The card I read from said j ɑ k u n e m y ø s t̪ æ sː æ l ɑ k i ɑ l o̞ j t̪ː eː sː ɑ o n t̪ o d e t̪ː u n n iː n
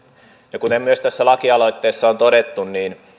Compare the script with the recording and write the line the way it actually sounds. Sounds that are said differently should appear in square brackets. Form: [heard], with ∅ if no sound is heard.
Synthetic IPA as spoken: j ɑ k u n e m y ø s t̪ æ sː æ l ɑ k i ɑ l o̞ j t̪ː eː sː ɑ o n t̪ o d e t̪ː u n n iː n